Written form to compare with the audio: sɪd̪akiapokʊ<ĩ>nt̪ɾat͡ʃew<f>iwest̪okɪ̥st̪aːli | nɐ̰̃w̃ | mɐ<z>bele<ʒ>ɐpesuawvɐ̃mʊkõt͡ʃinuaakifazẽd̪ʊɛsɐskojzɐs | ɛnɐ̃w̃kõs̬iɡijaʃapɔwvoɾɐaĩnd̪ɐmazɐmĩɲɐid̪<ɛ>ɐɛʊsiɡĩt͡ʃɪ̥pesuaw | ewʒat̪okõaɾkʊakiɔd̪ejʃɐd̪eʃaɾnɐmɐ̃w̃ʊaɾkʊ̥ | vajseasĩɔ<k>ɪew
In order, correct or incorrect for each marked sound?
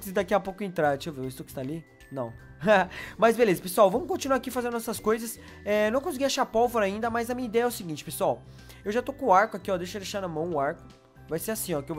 incorrect: ẽ, incorrect: v, correct, incorrect: z, correct, correct

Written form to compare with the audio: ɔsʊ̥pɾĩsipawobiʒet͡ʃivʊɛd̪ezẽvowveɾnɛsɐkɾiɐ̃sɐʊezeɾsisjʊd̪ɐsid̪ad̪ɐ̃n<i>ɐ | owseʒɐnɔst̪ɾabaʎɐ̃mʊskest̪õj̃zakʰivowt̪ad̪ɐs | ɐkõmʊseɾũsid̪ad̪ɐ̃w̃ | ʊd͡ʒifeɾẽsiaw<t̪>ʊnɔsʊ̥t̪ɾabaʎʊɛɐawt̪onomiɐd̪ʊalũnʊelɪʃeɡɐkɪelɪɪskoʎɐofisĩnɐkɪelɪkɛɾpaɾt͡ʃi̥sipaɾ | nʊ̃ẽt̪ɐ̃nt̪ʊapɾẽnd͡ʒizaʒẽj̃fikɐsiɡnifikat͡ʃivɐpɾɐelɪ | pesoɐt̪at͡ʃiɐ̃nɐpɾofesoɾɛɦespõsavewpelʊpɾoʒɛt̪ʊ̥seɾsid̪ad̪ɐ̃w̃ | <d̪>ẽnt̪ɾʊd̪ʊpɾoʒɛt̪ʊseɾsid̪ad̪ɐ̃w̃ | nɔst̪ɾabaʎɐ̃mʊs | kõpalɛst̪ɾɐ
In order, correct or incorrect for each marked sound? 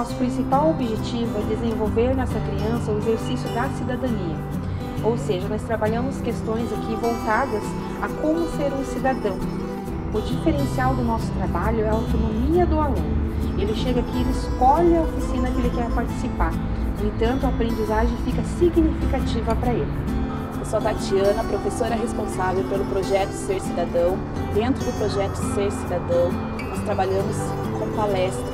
correct, incorrect: d̪, correct

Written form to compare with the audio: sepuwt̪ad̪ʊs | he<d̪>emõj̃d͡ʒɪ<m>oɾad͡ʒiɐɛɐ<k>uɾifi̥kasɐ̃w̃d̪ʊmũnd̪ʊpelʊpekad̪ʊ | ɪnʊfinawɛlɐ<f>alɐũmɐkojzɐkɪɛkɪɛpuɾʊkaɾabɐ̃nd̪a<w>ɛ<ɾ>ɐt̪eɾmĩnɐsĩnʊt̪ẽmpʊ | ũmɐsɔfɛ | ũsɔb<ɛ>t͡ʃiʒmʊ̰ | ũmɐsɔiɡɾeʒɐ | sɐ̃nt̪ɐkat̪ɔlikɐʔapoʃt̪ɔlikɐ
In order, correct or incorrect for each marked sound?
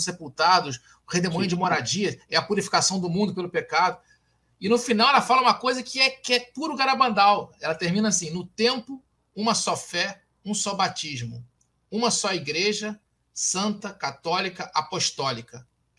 correct, correct, incorrect: p, correct, correct, incorrect: l, incorrect: a

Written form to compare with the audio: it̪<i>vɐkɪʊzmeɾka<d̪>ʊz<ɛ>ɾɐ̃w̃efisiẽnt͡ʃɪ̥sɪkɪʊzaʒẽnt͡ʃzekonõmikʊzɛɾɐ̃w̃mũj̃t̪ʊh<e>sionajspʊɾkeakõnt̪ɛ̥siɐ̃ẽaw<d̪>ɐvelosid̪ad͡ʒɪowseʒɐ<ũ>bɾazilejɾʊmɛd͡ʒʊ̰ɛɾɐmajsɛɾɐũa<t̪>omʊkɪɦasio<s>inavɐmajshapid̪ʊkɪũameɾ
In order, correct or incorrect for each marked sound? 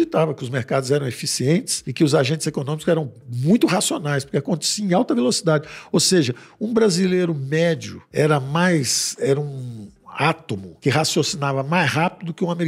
incorrect: a, correct, correct, incorrect: a, incorrect: t̪, correct, correct, correct

